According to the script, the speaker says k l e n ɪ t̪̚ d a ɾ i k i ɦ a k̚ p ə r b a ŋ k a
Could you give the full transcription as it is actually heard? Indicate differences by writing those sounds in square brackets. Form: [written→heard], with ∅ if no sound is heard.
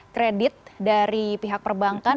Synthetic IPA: k [l→ɾ] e [n→d] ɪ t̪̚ d a ɾ i [k→p] i ɦ a k̚ p ə r b a ŋ k a

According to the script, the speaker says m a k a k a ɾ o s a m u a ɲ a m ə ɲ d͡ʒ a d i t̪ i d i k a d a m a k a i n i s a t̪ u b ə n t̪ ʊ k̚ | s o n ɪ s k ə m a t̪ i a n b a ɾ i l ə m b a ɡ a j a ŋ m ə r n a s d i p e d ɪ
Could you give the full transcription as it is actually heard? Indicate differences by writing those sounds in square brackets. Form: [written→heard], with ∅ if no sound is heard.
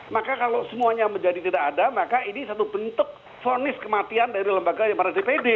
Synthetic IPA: m a k a k a [ɾ→l] o s [a→ə] m u a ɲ a m ə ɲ d͡ʒ a d i t̪ i d [i→a] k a d a m a k a i n i s a t̪ u b ə n t̪ ʊ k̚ | [s→f] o n ɪ s k ə m a t̪ i a n [b→d] a ɾ i l ə m b a ɡ a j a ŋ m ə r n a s d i p e d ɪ

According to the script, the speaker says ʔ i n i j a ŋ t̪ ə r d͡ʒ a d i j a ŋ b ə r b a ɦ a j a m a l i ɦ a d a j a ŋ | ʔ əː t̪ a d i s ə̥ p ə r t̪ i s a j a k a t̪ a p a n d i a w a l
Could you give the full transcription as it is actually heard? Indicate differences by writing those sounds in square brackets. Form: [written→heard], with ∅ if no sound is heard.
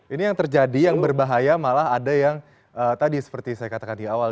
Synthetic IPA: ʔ i n i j a ŋ t̪ ə r d͡ʒ a d i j a ŋ b ə r b a ɦ a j a m a l [i→a] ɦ a d a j a ŋ | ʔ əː t̪ a d i s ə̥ p ə r t̪ i s a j a k a t̪ a [p→k] a n d i a w a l

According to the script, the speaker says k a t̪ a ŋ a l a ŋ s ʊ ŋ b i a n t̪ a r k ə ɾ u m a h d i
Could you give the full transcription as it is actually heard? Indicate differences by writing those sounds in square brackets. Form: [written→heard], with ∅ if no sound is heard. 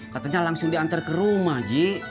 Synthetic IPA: k a t̪ a [ŋ→ɲ] a l a ŋ s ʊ ŋ [b→d] i a n t̪ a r k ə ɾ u m a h [d→d͡ʒ] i

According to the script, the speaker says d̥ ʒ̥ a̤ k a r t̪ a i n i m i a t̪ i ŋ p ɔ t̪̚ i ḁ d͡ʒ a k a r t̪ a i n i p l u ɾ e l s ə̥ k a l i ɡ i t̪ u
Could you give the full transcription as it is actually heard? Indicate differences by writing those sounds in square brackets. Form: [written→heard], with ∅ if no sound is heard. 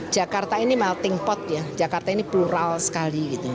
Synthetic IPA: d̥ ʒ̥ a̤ k a r t̪ a i n i m [i→a] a t̪ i ŋ p ɔ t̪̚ [i→j] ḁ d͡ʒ a k a r t̪ a i n i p l u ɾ [e→a] l s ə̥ k a l i ɡ i t̪ u

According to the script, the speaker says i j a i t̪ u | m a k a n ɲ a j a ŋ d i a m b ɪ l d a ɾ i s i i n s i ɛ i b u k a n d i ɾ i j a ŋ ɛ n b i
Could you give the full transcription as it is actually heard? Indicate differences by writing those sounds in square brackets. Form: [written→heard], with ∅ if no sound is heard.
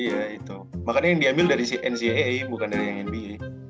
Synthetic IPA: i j a i t̪ u | m a k a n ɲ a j a ŋ d i a m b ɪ l d a ɾ i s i [i→ɛ] n s i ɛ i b u k a n d [i→a] ɾ i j a ŋ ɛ n b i

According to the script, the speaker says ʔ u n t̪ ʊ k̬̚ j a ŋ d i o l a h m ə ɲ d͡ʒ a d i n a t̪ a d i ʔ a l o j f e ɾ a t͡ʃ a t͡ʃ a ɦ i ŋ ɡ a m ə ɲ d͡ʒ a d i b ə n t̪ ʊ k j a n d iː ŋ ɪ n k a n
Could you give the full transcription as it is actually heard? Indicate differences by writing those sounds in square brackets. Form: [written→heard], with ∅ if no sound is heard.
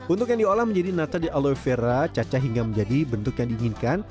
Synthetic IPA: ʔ u n t̪ ʊ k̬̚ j a ŋ d i o l a h m ə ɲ d͡ʒ a d i n a t̪ a d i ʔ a l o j f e ɾ a t͡ʃ a t͡ʃ a ɦ i ŋ ɡ a m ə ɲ d͡ʒ a d i b ə n t̪ ʊ k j a [n→ŋ] d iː ŋ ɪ n k a n

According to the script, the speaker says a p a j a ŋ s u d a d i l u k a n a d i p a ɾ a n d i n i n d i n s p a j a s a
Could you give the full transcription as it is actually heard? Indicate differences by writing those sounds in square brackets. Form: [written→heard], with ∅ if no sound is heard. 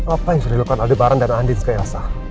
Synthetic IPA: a p a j a ŋ s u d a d i l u k a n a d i [p→b] a ɾ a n d [i→a] n [i→a] n d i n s [p→k] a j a s a

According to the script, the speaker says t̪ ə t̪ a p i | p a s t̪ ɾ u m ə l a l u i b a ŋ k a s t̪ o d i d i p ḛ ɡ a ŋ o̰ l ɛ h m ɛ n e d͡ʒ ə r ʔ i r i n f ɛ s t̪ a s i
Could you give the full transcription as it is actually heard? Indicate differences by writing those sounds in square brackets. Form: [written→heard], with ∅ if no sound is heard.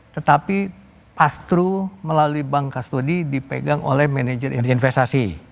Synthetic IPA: t̪ ə t̪ a p i | p a s t̪ ɾ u m ə l a l u i b a ŋ k a s t̪ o d i d i p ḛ ɡ a ŋ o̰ l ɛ h m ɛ n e d͡ʒ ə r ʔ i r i n f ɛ s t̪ a s i

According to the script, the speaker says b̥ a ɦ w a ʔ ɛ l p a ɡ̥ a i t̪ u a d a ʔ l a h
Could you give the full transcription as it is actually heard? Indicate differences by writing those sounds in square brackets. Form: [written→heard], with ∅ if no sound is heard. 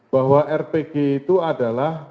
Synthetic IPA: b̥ a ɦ w a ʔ ɛ [l→r] p [a→e] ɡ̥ [a→e] i t̪ u a d a [ʔ→∅] l a h

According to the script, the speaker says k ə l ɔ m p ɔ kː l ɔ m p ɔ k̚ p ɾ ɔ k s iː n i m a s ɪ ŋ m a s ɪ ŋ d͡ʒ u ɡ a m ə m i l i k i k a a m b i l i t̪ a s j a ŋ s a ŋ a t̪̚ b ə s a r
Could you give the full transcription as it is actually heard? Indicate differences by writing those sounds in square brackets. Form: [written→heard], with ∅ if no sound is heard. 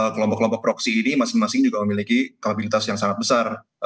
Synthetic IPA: k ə l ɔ m p ɔ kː l ɔ m p ɔ k̚ p ɾ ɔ k s iː n i m a s ɪ ŋ m a s ɪ ŋ d͡ʒ u ɡ a m ə m i l i k i k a a [m→∅] b i l i t̪ a s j a ŋ s a ŋ a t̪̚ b ə s a r

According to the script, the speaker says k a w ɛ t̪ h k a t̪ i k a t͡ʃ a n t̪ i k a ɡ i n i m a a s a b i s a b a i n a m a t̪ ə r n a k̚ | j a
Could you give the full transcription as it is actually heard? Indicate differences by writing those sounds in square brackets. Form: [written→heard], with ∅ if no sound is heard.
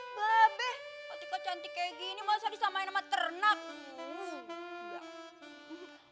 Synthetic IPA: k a [w→b] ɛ [t̪→∅] h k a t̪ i k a t͡ʃ a n t̪ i k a ɡ i n i m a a s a [b→d] i s a [b→m] a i n a m a t̪ ə r n a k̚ | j a

